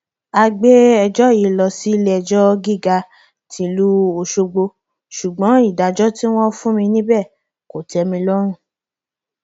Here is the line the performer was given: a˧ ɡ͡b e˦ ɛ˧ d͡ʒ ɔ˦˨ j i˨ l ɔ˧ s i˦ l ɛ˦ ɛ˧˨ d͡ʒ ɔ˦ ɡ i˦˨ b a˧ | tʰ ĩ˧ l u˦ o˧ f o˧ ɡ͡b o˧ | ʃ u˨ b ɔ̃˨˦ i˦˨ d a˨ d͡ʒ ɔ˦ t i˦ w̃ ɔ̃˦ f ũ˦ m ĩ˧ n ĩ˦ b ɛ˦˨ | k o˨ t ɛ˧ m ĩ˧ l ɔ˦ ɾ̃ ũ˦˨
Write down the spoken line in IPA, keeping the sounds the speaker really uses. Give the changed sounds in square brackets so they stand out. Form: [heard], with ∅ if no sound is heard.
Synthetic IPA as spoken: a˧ ɡ͡b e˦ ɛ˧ d͡ʒ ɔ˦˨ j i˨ l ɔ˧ s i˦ l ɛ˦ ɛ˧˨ d͡ʒ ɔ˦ ɡ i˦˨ [ɡ] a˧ | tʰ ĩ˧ l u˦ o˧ [ʃ] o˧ ɡ͡b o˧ | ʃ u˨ [ɡ͡b] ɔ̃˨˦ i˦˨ d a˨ d͡ʒ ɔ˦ t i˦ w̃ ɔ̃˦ f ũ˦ m ĩ˧ n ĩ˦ b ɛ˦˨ | k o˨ t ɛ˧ m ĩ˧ l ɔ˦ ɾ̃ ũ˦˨

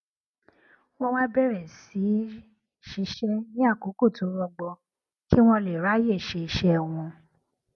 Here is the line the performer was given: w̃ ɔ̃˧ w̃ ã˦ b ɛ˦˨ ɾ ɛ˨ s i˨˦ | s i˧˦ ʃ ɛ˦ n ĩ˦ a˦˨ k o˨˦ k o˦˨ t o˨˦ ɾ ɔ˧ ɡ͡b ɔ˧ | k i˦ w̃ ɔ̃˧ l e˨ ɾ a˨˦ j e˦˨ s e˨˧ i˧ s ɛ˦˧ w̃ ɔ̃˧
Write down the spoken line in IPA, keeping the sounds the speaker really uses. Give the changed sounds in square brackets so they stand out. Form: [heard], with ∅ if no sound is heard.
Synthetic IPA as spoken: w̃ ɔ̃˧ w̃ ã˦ b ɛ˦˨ ɾ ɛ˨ s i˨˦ | [ʃ] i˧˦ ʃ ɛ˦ n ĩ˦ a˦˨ k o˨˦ k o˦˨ t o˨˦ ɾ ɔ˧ ɡ͡b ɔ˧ | k i˦ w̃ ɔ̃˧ l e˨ ɾ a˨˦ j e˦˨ [ʃ] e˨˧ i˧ [ʃ] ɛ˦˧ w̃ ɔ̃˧

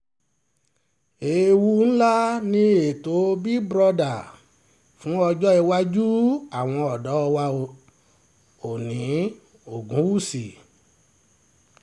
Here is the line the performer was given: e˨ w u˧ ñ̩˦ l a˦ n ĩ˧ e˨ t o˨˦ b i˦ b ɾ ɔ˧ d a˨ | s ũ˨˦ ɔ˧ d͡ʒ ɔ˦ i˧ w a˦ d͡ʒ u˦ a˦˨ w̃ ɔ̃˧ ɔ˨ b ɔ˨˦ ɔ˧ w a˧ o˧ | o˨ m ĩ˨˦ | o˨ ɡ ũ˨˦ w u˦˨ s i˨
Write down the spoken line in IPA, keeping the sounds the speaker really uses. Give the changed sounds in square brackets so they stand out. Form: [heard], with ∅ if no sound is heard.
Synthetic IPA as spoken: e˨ w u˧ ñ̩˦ l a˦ n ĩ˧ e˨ t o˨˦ b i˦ b ɾ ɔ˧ d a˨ | [f] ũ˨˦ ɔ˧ d͡ʒ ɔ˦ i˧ w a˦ d͡ʒ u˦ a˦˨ w̃ ɔ̃˧ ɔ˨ [d] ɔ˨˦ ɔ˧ w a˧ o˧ | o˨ [n] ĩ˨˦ | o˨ ɡ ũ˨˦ w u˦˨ s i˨

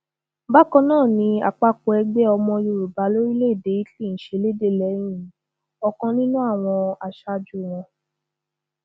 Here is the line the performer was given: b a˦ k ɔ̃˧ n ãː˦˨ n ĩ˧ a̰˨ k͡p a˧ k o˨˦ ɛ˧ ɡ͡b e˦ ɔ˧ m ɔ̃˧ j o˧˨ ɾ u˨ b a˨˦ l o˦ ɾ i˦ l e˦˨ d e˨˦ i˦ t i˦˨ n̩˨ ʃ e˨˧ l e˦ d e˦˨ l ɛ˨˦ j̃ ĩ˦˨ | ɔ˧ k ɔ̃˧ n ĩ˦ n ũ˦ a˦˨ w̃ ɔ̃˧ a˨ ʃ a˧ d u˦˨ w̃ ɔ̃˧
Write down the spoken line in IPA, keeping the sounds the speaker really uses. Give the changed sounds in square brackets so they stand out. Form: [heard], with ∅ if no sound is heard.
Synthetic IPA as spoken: b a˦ k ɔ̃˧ n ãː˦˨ n ĩ˧ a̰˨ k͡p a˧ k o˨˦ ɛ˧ ɡ͡b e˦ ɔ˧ m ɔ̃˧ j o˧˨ ɾ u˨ b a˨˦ l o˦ ɾ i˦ l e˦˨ d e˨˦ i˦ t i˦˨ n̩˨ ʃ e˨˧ l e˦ d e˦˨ l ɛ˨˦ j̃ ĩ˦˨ | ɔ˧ k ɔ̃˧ n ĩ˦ n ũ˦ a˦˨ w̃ ɔ̃˧ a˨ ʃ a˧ [d͡ʒ] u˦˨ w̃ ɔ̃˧

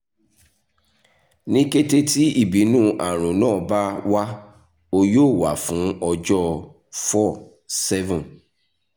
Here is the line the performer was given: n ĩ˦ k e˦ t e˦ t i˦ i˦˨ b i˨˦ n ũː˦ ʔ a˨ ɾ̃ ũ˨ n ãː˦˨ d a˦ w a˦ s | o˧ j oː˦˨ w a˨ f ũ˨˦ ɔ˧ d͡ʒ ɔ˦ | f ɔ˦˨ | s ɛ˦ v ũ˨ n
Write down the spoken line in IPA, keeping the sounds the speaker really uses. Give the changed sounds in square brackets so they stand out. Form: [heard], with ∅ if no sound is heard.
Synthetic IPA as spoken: n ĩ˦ k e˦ t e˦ t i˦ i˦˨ b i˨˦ n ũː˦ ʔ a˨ ɾ̃ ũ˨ n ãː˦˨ [b] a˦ w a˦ [∅] | o˧ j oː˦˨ w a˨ f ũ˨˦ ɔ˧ d͡ʒ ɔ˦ | f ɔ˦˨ | s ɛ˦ v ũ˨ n

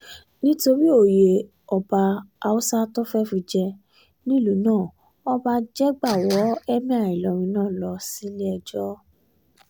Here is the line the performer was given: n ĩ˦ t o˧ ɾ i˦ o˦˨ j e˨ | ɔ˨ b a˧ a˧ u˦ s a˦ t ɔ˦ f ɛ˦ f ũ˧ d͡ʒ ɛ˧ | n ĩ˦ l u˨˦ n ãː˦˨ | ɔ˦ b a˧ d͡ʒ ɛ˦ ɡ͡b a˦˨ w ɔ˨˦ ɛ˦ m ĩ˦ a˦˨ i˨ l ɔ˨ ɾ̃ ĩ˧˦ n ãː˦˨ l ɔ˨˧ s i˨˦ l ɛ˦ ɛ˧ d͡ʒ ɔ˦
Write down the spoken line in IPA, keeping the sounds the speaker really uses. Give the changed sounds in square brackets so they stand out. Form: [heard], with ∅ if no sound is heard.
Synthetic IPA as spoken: n ĩ˦ t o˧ ɾ i˦ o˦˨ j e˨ | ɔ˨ b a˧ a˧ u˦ s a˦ t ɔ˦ f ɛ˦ f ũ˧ d͡ʒ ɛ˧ | n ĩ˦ l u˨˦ n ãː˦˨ | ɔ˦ b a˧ d͡ʒ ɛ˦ ɡ͡b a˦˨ w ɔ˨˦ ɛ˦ m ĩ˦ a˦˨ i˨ l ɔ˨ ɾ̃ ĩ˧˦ n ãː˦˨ l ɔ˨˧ s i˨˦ l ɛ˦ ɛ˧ d͡ʒ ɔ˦

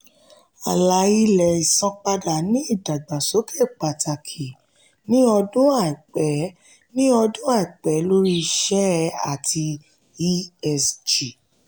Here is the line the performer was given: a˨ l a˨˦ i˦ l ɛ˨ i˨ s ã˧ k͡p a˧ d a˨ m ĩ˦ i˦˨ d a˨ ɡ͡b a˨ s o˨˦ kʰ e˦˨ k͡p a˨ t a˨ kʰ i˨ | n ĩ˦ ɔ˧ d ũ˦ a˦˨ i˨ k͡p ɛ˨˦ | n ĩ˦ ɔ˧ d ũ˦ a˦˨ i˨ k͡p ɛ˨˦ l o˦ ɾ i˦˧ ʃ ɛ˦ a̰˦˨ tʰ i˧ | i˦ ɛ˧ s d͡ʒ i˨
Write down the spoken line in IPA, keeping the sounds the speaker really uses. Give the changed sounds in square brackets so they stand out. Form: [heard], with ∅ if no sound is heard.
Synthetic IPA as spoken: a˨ l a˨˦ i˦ l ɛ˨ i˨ s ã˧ k͡p a˧ d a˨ [n] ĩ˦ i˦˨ d a˨ ɡ͡b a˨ s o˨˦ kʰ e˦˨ k͡p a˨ t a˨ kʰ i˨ | n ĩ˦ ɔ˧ d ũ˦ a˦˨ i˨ k͡p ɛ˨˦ | n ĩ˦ ɔ˧ d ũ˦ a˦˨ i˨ k͡p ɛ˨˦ l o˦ ɾ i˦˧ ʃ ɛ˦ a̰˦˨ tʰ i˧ | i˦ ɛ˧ s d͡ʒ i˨

